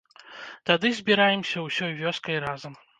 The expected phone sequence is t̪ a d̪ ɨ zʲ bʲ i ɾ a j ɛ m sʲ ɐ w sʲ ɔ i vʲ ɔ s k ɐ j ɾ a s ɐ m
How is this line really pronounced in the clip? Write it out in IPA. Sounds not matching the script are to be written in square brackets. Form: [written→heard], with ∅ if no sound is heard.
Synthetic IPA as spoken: t̪ a d̪ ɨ zʲ bʲ i ɾ a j ɛ m sʲ ɐ w sʲ ɔ [i→j] vʲ ɔ s k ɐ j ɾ a [s→z] ɐ m